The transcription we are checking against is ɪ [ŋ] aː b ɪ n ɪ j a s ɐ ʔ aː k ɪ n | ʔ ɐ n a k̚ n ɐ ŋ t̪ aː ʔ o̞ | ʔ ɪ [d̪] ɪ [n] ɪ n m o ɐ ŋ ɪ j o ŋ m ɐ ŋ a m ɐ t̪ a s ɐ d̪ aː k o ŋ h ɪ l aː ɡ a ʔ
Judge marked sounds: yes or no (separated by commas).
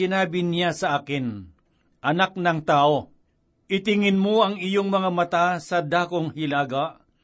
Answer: no, no, no